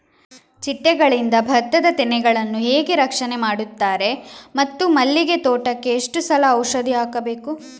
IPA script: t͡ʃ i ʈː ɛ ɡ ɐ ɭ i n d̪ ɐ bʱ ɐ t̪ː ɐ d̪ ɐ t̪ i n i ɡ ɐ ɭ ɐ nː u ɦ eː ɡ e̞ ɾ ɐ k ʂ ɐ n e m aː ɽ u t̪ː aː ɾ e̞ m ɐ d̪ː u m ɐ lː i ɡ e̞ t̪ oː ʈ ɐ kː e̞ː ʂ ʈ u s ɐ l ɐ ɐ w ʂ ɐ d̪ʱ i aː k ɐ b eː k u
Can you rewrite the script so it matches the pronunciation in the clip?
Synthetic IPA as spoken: t͡ʃ i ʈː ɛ ɡ ɐ ɭ i n d̪ ɐ bʱ ɐ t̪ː ɐ d̪ ɐ t̪ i n ɛ ɡ ɐ ɭ ɐ nː u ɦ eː ɡ e̞ ɾ ɐ k ʂ ɐ n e m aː ɽ u t̪ː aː ɾ e̞ m ɐ t̪ː u m ɐ lː i ɡ e̞ t̪ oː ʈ ɐ kː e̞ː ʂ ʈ u s ɐ l ɐ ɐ w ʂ ɐ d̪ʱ i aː k ɐ b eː k u